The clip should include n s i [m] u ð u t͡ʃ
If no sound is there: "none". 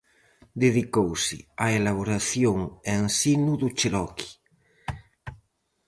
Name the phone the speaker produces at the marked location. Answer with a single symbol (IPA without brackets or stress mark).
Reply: n